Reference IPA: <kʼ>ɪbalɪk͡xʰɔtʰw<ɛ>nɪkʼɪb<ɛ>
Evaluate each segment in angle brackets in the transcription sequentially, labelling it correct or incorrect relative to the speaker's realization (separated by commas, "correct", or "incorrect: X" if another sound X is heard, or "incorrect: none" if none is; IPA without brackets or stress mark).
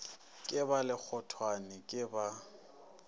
correct, incorrect: a, incorrect: a